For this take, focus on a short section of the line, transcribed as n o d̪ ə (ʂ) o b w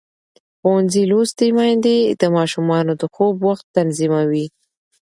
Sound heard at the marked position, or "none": x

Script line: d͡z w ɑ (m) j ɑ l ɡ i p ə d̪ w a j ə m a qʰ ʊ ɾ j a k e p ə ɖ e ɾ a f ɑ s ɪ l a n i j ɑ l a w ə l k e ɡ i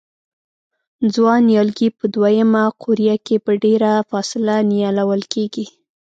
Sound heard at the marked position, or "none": n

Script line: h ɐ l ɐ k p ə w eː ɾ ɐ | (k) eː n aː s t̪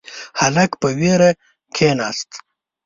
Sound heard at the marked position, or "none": kʰ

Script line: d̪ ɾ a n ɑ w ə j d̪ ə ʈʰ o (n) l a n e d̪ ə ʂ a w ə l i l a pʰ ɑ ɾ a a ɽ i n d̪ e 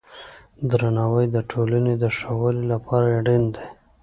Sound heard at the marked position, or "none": none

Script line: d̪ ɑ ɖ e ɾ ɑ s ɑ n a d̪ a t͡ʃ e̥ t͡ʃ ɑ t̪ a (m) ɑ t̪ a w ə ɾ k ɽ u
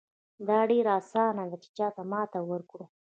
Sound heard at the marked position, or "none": m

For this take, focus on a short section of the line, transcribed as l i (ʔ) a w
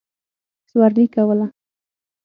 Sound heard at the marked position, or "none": k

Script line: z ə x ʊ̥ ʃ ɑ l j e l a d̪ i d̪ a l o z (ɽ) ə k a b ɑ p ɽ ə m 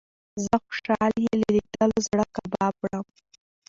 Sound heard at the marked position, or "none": ɽ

